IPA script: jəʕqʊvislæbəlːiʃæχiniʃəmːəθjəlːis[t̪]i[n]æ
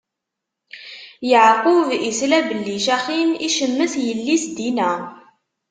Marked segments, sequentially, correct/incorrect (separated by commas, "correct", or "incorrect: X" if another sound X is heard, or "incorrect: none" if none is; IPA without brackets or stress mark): incorrect: d̪, correct